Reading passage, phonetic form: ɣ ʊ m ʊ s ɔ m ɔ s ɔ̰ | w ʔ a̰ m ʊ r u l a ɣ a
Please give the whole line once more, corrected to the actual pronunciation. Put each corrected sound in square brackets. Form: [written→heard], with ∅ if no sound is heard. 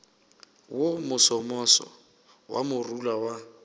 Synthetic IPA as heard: [ɣ→w] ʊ m ʊ s ɔ m ɔ s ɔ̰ | w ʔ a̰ m ʊ r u l a [ɣ→w] a